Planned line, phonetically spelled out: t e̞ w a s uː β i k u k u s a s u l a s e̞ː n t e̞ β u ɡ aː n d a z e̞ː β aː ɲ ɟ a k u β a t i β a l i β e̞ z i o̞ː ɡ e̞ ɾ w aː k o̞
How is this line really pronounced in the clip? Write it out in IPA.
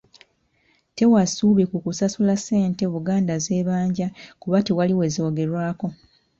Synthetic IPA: t e̞ w a s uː β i k u k u s a s u l a s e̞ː n t e̞ β u ɡ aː n d a z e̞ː β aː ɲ ɟ a k u β a t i w a l i w e̞ z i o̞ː ɡ e̞ ɾ w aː k o̞